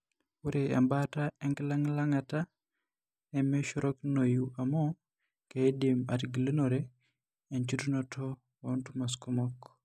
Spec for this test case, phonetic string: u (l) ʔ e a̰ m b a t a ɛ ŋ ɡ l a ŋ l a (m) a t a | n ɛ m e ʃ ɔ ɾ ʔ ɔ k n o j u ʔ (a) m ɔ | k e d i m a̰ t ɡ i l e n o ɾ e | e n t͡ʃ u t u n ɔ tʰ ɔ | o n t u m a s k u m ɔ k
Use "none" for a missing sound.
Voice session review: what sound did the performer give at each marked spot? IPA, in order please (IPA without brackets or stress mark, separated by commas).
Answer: ɾ, ŋ, a